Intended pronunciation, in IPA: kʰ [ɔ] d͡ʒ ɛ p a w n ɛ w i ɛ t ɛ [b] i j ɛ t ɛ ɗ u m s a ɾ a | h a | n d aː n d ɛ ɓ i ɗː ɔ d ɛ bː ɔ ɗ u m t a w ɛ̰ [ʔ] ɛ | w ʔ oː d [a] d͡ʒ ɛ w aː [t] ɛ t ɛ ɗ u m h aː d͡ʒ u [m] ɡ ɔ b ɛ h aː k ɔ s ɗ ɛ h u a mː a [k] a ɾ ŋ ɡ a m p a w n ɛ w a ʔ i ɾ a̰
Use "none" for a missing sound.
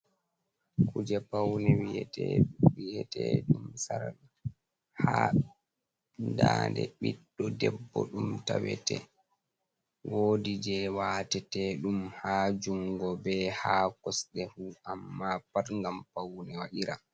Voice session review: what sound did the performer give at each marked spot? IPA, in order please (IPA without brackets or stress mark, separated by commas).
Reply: u, w, t, i, t, ŋ, p